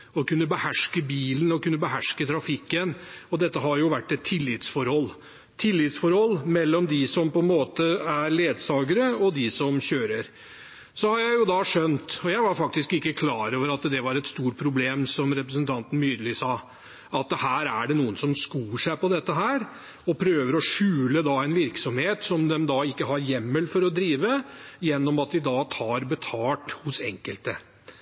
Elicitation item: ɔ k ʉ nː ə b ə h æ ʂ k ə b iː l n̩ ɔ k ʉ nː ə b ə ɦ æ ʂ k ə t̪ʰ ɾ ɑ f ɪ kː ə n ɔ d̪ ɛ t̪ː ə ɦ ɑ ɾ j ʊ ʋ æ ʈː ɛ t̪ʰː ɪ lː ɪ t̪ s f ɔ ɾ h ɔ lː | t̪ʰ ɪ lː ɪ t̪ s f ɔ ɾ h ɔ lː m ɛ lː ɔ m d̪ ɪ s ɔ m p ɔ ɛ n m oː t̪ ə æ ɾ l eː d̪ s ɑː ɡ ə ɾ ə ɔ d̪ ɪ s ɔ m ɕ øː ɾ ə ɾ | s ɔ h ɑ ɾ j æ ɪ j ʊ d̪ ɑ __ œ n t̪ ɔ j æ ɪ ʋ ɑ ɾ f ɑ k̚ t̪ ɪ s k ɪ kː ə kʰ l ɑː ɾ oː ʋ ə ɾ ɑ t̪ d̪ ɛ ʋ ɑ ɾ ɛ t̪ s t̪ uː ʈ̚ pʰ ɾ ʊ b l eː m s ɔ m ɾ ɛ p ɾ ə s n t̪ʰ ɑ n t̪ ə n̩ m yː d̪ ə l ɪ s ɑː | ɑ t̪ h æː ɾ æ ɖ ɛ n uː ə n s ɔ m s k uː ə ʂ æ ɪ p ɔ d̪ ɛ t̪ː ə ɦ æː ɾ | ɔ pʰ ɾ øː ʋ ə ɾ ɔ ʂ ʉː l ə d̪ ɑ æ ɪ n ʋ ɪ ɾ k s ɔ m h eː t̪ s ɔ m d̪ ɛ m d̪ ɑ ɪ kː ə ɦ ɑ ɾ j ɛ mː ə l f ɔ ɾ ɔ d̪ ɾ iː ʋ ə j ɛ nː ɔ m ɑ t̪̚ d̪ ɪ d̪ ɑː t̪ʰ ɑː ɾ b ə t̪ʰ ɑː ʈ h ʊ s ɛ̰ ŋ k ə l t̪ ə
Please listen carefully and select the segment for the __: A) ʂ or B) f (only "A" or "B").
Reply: A